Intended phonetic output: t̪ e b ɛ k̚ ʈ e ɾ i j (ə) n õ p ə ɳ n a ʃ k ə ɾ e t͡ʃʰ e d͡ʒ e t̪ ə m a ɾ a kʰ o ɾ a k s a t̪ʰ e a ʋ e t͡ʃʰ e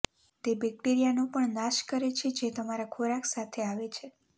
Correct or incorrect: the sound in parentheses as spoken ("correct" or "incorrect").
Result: incorrect